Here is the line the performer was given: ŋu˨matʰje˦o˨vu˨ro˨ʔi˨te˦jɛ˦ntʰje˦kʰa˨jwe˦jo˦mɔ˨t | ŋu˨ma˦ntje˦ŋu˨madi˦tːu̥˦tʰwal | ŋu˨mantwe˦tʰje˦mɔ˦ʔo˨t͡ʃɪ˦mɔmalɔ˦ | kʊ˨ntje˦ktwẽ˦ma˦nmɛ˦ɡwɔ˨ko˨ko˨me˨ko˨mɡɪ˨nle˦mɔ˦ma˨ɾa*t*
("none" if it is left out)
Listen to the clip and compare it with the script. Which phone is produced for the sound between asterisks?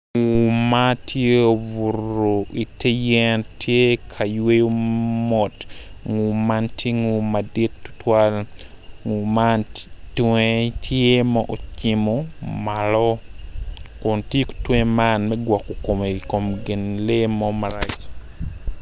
t͡ʃ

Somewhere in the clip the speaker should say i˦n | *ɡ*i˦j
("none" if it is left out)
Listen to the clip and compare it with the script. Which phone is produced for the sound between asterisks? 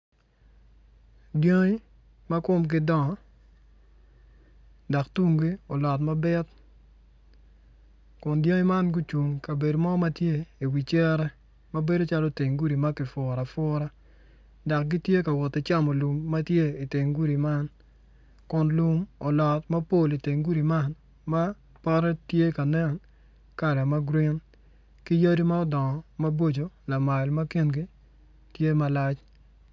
k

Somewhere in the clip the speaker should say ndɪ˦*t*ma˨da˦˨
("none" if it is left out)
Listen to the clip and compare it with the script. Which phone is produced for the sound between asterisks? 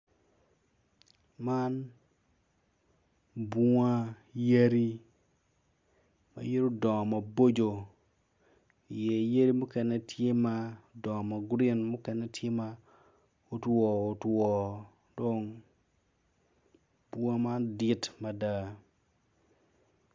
t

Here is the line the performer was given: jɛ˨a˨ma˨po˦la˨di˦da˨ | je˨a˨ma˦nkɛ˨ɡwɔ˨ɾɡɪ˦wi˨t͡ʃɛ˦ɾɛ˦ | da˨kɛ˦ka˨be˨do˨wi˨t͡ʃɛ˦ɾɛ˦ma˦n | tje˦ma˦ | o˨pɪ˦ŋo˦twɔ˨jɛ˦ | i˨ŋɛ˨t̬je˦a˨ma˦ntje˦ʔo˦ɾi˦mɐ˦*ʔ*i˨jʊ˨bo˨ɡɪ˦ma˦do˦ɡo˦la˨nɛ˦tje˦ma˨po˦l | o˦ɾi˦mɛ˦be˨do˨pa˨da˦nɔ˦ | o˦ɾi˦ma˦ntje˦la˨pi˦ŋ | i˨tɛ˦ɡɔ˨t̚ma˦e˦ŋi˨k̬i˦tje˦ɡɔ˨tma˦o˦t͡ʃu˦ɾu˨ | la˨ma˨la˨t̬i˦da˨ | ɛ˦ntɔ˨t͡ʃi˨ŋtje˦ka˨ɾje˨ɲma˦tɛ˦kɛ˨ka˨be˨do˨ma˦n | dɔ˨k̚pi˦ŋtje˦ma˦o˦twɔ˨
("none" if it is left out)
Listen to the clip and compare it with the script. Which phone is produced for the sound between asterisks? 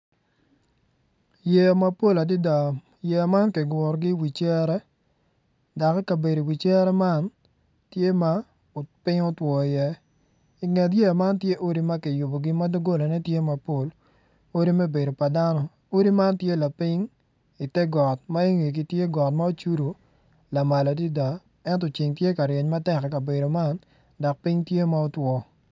k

